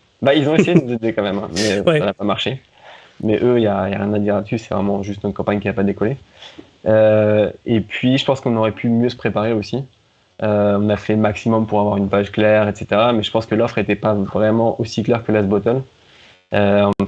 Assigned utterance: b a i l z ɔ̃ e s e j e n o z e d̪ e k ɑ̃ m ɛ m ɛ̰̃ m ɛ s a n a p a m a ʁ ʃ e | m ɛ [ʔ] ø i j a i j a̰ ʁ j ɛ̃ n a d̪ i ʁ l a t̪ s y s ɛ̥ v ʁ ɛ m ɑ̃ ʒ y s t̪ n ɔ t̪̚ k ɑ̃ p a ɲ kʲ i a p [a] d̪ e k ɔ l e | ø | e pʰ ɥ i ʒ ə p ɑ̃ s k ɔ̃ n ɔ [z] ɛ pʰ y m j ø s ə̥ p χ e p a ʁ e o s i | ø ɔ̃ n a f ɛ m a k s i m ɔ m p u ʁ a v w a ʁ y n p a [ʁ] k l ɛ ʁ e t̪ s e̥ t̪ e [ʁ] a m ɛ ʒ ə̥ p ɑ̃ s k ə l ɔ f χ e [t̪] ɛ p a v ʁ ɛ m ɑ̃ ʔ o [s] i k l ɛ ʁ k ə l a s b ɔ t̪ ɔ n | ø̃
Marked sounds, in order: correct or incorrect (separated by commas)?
correct, correct, incorrect, incorrect, correct, correct, correct